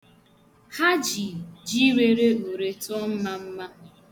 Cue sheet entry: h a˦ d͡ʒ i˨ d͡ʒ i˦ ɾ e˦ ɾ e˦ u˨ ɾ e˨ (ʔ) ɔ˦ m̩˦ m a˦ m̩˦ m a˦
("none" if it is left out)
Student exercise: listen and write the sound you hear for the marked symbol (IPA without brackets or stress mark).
t